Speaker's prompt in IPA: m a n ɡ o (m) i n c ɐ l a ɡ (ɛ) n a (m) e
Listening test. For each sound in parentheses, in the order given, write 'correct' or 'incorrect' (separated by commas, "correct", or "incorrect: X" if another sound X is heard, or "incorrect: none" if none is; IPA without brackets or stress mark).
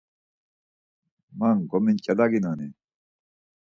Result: correct, incorrect: i, incorrect: n